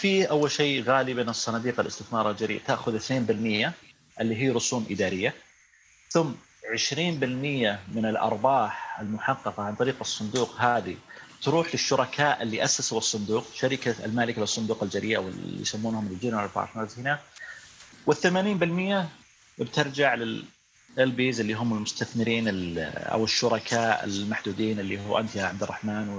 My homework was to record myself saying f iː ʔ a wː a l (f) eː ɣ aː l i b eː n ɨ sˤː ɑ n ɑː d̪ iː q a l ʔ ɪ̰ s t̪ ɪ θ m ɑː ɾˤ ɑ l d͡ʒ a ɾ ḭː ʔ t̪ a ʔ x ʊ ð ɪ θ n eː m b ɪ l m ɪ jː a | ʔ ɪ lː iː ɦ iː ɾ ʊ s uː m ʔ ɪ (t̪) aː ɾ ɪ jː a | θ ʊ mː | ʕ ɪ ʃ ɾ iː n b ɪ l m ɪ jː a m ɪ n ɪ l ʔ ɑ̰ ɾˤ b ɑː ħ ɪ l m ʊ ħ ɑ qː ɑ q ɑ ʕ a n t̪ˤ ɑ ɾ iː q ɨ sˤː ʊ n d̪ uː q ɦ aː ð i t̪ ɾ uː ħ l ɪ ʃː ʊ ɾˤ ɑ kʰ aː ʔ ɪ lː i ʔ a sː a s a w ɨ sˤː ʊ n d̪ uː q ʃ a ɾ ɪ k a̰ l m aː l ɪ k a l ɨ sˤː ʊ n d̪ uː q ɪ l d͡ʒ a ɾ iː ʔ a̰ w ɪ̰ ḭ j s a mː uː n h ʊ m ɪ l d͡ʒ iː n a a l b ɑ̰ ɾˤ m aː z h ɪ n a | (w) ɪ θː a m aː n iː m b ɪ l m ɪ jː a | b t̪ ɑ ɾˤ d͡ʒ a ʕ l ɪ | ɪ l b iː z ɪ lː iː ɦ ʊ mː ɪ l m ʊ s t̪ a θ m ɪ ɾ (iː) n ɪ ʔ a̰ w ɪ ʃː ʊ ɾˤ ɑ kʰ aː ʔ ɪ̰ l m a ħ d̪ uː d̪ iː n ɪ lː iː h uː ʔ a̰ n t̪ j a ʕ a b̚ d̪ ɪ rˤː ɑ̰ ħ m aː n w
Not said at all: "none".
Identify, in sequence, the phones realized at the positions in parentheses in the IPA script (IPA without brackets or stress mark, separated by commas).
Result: ʃ, d̪, w, iː